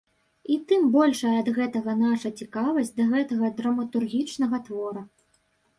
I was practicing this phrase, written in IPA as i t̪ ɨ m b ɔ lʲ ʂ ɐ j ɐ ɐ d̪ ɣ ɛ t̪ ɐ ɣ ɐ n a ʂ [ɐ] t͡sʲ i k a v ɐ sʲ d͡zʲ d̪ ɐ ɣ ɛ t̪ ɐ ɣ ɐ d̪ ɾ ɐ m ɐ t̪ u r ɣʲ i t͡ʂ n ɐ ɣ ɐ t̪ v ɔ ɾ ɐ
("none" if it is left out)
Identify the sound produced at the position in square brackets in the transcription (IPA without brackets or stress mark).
ɐ